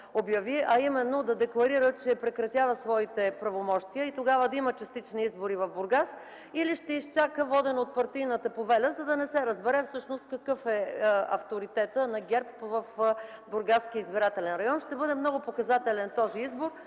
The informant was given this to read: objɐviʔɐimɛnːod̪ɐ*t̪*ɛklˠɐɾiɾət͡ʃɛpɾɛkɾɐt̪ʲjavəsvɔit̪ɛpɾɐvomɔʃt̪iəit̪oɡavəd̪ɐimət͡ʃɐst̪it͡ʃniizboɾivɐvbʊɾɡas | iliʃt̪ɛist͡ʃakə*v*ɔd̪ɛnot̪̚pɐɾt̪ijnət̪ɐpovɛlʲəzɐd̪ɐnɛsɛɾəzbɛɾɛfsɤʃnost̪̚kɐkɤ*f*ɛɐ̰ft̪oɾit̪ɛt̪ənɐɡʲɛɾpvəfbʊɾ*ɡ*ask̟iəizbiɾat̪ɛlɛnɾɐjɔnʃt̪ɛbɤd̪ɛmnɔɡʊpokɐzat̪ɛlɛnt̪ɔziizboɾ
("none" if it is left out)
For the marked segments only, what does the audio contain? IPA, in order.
d̪, v, f, ɡ

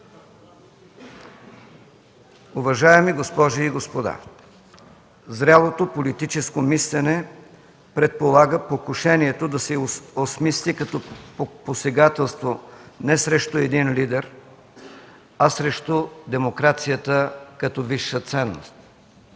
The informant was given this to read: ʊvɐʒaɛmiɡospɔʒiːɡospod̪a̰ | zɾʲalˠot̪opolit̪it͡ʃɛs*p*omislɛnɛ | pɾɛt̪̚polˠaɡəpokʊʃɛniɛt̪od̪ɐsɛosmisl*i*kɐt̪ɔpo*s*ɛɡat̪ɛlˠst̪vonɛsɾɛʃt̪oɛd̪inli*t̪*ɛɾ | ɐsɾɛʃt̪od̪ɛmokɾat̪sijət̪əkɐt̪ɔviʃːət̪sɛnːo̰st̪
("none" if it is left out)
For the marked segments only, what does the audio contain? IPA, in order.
k, i, s, d̪

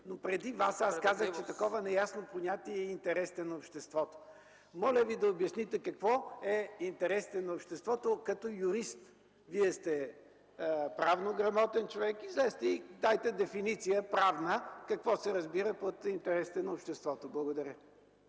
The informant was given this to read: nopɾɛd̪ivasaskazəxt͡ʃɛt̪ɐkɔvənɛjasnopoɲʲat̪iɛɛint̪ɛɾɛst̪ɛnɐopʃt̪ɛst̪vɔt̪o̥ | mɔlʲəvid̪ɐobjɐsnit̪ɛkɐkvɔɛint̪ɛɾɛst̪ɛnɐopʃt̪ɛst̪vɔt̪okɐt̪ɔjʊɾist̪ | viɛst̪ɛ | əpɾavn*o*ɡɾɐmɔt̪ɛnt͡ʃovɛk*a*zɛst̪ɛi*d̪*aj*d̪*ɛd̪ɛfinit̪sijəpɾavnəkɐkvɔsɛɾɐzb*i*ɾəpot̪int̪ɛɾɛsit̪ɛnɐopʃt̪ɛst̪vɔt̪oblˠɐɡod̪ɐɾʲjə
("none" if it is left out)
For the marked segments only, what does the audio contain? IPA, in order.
o, i, d̪, t̪, i

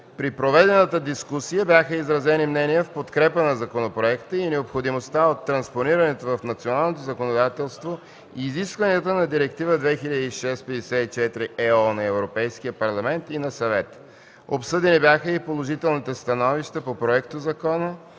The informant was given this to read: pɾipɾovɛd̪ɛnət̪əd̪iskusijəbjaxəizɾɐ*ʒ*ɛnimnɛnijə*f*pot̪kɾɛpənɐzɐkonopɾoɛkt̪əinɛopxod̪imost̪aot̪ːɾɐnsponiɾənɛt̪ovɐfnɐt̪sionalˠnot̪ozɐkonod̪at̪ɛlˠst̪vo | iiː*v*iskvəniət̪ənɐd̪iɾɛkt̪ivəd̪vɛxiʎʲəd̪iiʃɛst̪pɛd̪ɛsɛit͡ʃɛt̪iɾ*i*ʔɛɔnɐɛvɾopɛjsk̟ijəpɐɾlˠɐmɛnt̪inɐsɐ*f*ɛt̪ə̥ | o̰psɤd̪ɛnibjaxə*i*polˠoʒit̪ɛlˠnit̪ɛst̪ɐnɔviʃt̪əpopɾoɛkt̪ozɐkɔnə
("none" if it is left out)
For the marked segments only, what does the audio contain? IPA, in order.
z, f, z, i, v, i

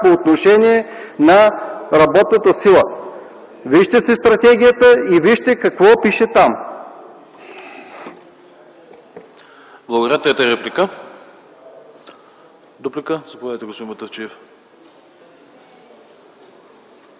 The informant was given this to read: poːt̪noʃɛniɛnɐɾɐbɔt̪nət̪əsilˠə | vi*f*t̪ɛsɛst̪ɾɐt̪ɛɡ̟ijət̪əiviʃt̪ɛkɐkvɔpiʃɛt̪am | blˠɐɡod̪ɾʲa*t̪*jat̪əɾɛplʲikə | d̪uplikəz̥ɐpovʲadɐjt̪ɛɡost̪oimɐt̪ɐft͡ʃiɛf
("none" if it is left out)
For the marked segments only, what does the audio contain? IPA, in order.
ʃ, t̪

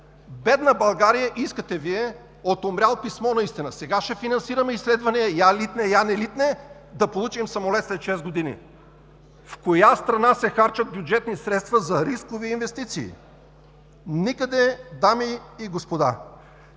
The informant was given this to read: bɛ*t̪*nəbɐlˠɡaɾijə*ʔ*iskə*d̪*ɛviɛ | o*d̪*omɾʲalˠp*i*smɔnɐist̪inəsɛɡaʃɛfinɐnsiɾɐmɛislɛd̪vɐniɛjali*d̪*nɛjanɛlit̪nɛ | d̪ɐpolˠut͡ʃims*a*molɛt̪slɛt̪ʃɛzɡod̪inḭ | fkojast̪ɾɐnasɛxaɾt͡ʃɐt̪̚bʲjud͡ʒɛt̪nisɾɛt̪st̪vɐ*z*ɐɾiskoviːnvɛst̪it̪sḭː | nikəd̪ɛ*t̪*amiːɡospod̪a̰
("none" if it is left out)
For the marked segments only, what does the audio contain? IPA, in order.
d̪, ʔ, t̪, t̪, i, t̪, ɐ, z, d̪

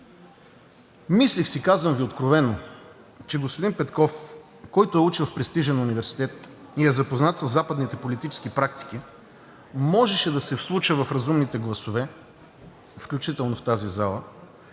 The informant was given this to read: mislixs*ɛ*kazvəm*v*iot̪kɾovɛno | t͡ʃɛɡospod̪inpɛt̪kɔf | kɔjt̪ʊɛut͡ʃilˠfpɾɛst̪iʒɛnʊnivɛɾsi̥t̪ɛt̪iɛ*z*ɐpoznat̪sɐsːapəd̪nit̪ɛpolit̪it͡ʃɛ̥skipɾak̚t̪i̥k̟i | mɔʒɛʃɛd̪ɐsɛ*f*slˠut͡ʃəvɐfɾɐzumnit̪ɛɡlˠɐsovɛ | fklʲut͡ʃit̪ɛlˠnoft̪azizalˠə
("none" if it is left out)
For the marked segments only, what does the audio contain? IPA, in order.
i, v, z, f

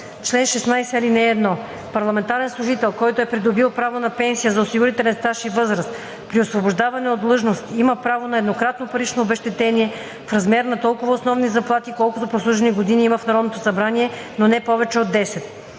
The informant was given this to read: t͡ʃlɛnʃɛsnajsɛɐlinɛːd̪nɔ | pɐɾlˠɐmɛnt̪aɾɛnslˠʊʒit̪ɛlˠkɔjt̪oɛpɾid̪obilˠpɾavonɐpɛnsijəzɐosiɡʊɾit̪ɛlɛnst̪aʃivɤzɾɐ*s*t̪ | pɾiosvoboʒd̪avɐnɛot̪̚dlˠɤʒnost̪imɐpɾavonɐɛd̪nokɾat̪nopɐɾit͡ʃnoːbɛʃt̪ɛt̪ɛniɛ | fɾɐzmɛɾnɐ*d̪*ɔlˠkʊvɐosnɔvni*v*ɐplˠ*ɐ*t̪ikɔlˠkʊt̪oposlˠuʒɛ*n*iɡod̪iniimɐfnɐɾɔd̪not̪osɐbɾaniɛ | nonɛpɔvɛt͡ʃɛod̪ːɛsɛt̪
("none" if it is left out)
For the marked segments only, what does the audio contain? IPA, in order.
s, t̪, z, a, n

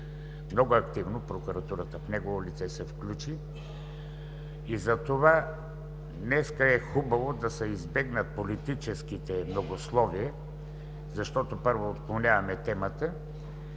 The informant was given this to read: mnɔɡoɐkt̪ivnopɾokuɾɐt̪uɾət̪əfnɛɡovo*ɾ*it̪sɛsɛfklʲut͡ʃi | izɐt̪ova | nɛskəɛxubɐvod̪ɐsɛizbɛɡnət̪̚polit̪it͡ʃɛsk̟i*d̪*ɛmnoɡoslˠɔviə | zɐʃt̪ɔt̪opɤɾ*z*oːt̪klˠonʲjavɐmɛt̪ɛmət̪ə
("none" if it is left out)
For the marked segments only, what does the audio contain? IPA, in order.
l, t̪, v

